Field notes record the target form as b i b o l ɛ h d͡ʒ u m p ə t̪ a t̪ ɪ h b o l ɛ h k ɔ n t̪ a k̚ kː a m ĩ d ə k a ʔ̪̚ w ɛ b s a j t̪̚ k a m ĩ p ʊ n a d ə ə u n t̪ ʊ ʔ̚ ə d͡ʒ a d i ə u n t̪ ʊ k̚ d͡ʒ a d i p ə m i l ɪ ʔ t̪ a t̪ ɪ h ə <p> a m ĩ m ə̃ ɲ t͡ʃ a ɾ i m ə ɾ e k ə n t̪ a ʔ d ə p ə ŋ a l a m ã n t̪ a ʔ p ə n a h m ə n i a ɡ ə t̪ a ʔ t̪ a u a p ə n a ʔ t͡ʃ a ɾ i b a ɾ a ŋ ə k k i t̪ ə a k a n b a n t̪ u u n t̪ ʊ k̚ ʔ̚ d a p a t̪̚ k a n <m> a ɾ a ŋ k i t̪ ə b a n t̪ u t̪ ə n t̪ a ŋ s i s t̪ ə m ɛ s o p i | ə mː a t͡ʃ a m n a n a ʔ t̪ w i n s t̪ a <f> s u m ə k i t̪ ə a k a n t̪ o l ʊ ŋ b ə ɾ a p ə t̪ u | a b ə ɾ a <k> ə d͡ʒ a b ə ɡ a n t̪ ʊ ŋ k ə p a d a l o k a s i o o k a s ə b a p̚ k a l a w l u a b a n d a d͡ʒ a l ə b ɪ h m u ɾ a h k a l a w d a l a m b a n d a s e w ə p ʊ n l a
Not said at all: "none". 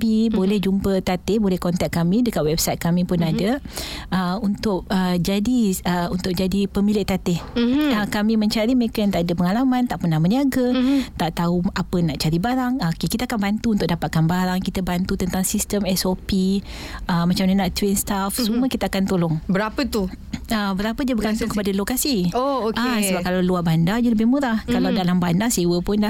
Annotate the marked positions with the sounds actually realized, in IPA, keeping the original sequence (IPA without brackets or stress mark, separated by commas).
k, b, f, p